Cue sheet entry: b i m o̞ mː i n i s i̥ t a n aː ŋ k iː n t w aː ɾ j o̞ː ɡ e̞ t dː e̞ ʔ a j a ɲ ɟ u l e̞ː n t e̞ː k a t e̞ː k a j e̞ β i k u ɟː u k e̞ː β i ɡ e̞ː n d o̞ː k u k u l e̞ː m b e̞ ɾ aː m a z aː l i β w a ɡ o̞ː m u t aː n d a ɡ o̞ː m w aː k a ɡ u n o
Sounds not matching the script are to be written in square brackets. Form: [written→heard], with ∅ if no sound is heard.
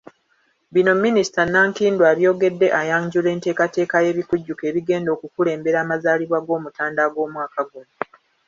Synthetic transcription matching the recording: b i [m→n] o̞ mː i n i s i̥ t a n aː ŋ k iː n [t→d] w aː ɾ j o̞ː ɡ e̞ [t→∅] dː e̞ ʔ a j a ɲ ɟ u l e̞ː n t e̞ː k a t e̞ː k a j e̞ β i k u ɟː u k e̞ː β i ɡ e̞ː n d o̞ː k u k u l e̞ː m b e̞ ɾ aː m a z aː l i β w a ɡ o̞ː m u t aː n d a ɡ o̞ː m w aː k a ɡ u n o